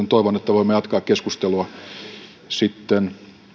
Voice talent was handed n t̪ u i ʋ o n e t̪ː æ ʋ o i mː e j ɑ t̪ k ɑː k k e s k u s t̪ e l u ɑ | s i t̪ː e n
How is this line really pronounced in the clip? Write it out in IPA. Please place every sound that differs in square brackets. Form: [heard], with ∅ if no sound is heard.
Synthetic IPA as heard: n t̪ [o] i ʋ o n e t̪ː æ ʋ o i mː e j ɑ t̪ k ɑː k k e s k u s t̪ e l u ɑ | s i t̪ː e n